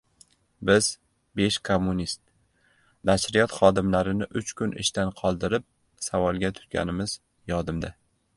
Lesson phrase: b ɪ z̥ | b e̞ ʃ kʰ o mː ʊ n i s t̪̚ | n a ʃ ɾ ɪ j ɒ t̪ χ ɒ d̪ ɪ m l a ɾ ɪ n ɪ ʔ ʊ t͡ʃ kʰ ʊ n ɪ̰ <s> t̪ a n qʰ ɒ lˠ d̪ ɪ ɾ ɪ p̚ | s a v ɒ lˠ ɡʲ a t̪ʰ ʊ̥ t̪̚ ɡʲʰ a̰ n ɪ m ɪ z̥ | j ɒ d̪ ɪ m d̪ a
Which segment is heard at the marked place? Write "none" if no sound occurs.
ʃ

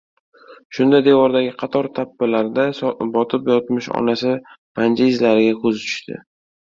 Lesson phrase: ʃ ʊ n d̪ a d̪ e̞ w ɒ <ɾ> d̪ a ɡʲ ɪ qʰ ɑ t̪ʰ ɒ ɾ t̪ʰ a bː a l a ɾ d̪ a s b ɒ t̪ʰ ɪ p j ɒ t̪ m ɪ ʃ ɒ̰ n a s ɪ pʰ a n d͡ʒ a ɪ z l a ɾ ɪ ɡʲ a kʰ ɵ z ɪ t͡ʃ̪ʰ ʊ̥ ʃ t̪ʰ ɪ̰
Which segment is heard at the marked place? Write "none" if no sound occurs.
ɾ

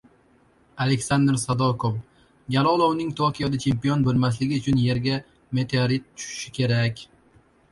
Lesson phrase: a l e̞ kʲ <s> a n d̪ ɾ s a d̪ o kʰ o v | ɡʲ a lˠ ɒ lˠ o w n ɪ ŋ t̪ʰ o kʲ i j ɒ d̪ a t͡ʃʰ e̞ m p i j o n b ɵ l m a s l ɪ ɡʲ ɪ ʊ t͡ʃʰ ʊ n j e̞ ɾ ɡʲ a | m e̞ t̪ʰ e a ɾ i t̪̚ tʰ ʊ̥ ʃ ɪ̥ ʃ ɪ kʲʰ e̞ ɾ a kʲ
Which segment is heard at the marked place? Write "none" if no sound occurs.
s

